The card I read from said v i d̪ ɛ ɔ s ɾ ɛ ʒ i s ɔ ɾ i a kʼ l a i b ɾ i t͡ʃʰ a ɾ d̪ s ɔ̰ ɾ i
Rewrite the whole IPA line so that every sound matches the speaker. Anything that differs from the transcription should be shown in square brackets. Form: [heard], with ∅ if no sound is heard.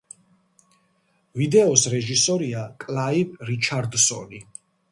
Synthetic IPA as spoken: v i d̪ ɛ ɔ s ɾ ɛ ʒ i s ɔ ɾ i a kʼ l a i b ɾ i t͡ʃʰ a ɾ d̪ s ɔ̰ [l] i

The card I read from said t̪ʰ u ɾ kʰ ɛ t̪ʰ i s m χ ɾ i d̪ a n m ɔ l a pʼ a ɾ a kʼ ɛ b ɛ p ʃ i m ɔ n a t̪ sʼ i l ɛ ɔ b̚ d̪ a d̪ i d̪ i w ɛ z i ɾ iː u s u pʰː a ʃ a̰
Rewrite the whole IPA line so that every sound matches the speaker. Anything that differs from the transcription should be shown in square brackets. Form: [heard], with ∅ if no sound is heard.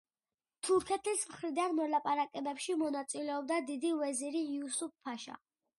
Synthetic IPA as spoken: t̪ʰ u ɾ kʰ ɛ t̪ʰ i s m χ ɾ i d̪ a n m ɔ l a pʼ a ɾ a kʼ ɛ b ɛ p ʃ i m ɔ n a t̪ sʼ i l ɛ ɔ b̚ d̪ a d̪ i d̪ i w ɛ z i ɾ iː u s u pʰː a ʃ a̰

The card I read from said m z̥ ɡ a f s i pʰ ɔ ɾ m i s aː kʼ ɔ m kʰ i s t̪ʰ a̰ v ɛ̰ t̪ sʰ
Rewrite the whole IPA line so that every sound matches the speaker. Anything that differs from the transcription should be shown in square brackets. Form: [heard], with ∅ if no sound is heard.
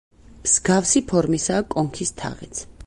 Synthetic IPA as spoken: m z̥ ɡ a f s i pʰ ɔ ɾ m i s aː kʼ ɔ [ŋ] kʰ i s t̪ʰ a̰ [ʁ] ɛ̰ t̪ sʰ

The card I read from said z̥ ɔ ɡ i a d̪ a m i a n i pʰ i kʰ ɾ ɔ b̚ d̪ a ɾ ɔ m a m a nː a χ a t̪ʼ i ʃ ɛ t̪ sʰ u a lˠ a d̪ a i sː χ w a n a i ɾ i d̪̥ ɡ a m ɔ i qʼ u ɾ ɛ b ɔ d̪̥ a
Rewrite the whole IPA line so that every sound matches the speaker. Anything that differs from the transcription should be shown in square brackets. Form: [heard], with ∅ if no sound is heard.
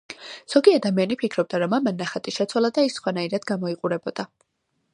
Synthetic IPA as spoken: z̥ ɔ ɡ i a d̪ a m i a n i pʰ i kʰ ɾ ɔ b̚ d̪ a ɾ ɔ m a m a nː a χ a t̪ʼ i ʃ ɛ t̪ sʰ [w] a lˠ a d̪ a i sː χ w a n a i ɾ [a] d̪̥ ɡ a m ɔ i qʼ u ɾ ɛ b ɔ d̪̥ a

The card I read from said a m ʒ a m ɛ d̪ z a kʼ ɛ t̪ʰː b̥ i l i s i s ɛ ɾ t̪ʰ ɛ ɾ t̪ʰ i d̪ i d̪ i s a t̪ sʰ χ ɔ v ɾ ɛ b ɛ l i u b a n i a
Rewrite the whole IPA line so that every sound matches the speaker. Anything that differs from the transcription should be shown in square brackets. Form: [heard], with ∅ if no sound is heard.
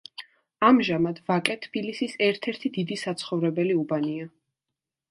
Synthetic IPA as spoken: a m ʒ a m [a] d̪ [v] a kʼ ɛ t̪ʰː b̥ i l i s i s ɛ ɾ t̪ʰ ɛ ɾ t̪ʰ i d̪ i d̪ i s a t̪ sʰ χ ɔ v ɾ ɛ b ɛ l i u b a n i a

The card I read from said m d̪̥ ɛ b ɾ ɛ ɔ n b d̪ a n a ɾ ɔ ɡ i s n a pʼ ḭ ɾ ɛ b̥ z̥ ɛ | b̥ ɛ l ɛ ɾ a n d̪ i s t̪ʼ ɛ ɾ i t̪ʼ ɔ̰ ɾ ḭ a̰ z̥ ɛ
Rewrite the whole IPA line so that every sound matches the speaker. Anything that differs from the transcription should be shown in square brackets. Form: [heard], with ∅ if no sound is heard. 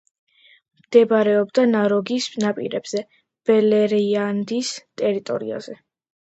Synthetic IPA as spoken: m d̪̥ ɛ b ɾ ɛ ɔ [∅] b d̪ a n a ɾ ɔ ɡ i s n a pʼ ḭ ɾ ɛ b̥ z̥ ɛ | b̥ ɛ l ɛ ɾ a n d̪ i s t̪ʼ ɛ ɾ i t̪ʼ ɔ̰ ɾ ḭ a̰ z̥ ɛ

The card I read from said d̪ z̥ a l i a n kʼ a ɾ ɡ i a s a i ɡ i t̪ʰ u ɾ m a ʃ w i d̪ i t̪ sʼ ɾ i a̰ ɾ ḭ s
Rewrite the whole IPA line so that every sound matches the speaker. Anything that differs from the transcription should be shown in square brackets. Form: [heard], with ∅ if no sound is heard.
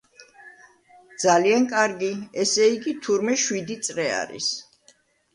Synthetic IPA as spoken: d̪ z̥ a l i a n kʼ a ɾ ɡ i [ɛ] s [ɛ] i ɡ i t̪ʰ u ɾ m [ɛ] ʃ w i d̪ i t̪ sʼ ɾ [ɛ] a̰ ɾ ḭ s

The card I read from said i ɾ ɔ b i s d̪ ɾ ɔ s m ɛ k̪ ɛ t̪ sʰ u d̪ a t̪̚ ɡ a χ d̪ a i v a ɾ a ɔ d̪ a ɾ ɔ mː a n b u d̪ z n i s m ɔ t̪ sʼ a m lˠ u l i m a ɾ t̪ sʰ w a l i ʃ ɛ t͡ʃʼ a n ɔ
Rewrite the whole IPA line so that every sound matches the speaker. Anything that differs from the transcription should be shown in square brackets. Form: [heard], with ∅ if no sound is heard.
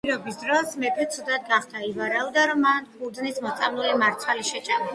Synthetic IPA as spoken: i ɾ ɔ b i s d̪ ɾ ɔ s m ɛ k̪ ɛ t̪ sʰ u d̪ a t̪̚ ɡ a χ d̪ a i v a ɾ a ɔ d̪ a ɾ ɔ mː a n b u d̪ z n i s m ɔ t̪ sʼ a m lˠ u l i m a ɾ t̪ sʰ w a l i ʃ ɛ t͡ʃʼ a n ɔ

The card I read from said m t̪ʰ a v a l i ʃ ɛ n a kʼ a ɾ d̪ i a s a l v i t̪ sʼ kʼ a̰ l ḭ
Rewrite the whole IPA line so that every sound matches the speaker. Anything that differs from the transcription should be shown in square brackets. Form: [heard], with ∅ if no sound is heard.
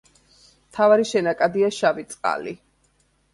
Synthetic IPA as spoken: m t̪ʰ a v a [ɾ] i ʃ ɛ n a kʼ a [∅] d̪ i a [ʃ] a [∅] v i t̪ sʼ [qʼ] a̰ l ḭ

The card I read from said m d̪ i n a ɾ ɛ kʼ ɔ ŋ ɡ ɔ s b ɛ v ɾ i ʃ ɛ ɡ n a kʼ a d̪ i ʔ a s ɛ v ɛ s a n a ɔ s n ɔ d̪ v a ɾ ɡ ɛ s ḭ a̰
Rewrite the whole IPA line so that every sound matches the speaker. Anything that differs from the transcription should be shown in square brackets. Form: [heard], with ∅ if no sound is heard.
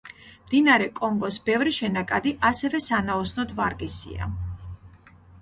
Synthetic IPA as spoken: m d̪ i n a ɾ ɛ kʼ ɔ ŋ ɡ ɔ s b ɛ v ɾ i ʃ ɛ [∅] n a kʼ a d̪ i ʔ a s ɛ v ɛ s a n a ɔ s n ɔ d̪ v a ɾ ɡ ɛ s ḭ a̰

